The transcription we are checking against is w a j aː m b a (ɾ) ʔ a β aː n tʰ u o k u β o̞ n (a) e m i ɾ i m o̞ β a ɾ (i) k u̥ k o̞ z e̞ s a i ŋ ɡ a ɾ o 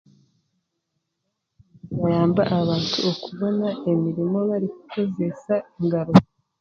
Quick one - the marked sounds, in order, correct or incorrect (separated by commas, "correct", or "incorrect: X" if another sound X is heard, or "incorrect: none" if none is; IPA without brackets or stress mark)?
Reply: incorrect: none, correct, correct